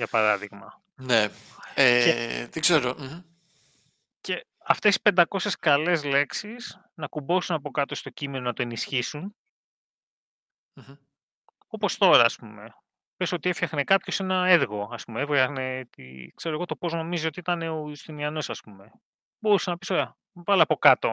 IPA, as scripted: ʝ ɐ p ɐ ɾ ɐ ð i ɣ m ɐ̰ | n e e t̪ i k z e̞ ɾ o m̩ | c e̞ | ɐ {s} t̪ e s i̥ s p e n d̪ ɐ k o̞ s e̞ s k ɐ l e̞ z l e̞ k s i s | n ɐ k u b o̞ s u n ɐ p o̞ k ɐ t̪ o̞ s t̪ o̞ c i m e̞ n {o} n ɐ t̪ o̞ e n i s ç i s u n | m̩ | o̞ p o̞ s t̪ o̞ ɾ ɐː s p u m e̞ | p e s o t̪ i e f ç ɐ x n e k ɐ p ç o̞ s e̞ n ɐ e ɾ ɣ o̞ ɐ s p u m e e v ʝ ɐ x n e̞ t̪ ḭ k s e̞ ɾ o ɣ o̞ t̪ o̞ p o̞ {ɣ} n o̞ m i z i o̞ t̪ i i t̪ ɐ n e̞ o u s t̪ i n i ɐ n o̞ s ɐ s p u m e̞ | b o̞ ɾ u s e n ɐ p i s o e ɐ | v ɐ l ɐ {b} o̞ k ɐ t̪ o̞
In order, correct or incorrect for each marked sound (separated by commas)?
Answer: incorrect, correct, incorrect, incorrect